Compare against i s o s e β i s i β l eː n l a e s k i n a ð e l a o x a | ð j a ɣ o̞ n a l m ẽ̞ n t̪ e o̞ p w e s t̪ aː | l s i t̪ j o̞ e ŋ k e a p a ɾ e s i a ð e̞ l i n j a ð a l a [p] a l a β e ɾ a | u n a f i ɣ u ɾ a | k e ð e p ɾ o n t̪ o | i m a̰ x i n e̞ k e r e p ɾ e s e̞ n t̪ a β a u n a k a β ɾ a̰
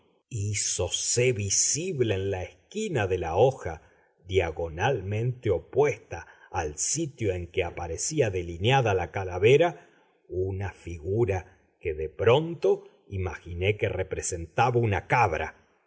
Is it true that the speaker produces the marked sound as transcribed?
no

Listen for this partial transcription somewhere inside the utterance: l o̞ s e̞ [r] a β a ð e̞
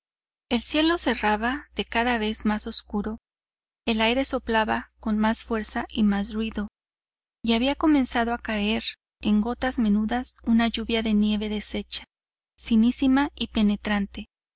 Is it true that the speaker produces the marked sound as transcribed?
yes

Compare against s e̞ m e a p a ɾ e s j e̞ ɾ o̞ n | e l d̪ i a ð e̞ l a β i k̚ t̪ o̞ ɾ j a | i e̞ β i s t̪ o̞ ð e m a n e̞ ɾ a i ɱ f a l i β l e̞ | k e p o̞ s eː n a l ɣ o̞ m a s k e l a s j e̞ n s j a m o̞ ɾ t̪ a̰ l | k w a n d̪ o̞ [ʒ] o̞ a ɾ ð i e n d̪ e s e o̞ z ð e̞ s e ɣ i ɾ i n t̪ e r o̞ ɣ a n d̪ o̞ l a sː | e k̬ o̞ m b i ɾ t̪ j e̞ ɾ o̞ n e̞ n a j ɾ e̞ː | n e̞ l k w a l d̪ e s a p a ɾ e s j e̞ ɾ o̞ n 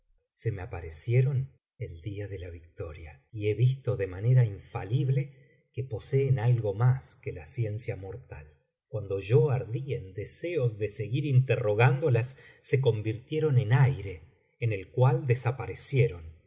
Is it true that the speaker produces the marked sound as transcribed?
yes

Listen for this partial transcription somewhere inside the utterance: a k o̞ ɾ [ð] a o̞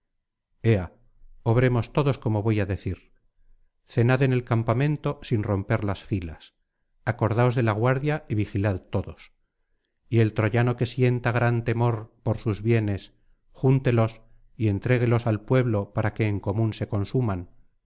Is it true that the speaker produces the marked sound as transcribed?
yes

